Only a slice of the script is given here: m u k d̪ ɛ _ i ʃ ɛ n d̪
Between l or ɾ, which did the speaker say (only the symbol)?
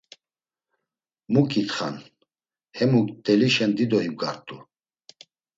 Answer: l